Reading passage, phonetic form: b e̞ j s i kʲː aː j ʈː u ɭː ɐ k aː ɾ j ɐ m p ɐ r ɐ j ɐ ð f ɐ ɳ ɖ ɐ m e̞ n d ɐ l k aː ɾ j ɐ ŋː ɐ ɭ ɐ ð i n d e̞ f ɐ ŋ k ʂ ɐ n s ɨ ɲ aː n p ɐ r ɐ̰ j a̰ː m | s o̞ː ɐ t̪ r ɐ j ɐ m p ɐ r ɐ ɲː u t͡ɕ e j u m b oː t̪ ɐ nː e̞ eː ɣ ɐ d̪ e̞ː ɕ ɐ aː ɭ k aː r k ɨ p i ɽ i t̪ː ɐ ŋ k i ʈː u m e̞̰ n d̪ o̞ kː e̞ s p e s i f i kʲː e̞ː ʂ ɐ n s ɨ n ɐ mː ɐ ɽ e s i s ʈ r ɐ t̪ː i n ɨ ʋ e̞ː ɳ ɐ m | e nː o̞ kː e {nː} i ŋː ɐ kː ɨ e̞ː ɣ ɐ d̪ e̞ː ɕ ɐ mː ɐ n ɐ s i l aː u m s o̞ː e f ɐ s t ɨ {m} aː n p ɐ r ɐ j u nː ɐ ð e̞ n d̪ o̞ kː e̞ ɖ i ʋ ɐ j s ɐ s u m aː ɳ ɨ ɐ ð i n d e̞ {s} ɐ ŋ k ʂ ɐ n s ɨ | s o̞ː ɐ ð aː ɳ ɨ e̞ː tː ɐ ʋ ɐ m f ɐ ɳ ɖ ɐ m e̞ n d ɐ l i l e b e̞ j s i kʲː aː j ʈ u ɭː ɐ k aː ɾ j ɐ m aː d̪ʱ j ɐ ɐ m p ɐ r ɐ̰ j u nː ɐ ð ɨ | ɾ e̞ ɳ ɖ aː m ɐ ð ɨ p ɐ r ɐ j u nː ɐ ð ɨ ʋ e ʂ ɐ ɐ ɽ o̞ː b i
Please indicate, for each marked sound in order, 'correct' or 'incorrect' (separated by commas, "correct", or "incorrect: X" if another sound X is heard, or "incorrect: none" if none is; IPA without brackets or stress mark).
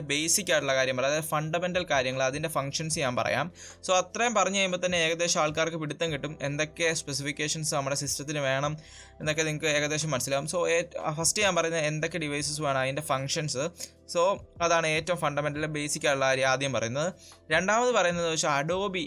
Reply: incorrect: n, incorrect: ɲ, incorrect: f